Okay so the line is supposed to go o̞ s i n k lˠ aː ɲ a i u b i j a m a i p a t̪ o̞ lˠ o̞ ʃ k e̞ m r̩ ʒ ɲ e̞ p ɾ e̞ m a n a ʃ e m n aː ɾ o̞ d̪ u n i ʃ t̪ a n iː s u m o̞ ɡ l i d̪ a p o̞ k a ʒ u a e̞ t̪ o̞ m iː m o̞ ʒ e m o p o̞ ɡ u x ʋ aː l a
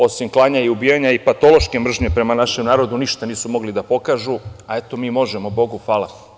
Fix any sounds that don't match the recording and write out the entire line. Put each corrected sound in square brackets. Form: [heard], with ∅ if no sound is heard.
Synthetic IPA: o̞ s i [m] k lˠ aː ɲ a i u b i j a [ɲ] a i p a t̪ o̞ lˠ o̞ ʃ k e̞ m r̩ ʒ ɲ e̞ p ɾ e̞ m a n a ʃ e m n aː ɾ o̞ d̪ u n i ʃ t̪ a n iː s u m o̞ ɡ l i d̪ a p o̞ k a ʒ u a e̞ t̪ o̞ m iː m o̞ ʒ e m o [b] o̞ ɡ u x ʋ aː l a